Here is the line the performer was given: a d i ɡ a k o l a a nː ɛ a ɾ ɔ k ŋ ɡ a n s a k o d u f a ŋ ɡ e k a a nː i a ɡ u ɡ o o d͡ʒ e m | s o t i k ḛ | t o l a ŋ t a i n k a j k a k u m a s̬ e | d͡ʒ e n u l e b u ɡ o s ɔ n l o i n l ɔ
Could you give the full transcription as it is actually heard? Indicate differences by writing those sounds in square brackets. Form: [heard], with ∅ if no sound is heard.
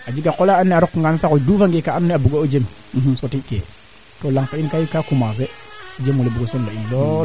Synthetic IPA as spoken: a [d͡ʒ] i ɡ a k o l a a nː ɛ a ɾ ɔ k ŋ ɡ a n s a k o d u f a ŋ ɡ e k a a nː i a [b] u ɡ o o d͡ʒ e m | s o t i k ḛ | t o l a ŋ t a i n k a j k a k u m a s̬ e | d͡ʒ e [m] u l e b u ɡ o s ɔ n l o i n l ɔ